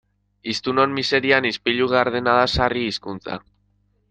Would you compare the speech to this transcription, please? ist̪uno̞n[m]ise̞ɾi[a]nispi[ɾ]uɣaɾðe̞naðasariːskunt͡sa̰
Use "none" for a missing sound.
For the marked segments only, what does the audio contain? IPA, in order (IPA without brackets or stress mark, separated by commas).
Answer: m, a, ʎ